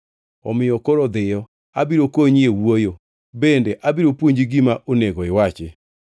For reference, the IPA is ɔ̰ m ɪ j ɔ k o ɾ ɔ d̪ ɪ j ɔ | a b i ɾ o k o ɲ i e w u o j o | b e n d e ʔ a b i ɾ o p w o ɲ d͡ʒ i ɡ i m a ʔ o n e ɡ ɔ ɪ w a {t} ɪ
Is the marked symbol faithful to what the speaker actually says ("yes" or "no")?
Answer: no